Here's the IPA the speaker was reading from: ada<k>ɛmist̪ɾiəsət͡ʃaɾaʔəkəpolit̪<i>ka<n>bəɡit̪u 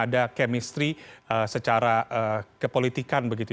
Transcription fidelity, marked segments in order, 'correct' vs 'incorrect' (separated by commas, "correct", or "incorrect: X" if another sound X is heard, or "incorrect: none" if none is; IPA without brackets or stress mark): correct, correct, correct